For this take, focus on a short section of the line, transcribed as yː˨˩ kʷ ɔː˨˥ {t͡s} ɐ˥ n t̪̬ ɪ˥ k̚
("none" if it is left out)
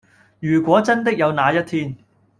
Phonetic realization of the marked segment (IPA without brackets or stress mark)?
t͡s